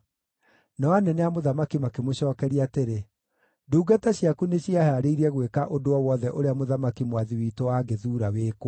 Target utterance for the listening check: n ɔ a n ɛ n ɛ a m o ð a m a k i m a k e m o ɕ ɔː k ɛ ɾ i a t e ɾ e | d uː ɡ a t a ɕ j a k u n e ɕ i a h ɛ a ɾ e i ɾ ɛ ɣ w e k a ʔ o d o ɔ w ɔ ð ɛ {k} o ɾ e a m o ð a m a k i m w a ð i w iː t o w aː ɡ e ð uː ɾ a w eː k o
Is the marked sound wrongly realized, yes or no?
yes